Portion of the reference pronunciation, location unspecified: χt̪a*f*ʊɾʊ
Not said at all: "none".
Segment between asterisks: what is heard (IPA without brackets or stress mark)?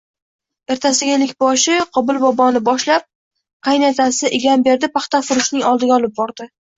f